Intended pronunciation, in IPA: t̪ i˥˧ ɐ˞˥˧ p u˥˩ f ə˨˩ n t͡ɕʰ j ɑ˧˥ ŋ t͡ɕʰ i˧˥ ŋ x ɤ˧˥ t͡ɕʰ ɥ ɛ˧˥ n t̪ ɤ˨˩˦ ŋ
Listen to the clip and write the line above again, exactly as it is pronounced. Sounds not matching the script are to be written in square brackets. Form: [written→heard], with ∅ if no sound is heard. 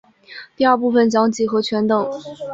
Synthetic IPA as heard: t̪ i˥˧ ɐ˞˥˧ p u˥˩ f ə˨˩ n [t͡ɕʰ→t͡ɕ] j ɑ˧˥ ŋ [t͡ɕʰ→t͡ɕ] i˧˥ [ŋ→∅] x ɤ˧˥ t͡ɕʰ ɥ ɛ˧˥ n t̪ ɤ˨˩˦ ŋ